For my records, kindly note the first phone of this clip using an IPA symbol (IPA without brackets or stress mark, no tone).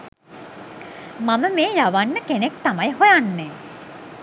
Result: m